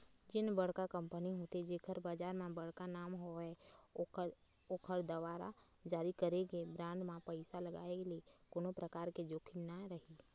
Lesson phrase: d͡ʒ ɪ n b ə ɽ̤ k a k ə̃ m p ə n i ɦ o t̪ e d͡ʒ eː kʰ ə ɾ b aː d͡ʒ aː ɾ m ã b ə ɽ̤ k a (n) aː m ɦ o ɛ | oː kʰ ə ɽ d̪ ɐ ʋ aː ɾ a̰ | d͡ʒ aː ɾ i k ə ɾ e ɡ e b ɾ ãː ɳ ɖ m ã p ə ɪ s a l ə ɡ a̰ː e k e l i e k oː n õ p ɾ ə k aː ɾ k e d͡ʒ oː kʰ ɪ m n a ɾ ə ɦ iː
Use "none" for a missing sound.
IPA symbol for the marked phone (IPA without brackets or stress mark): n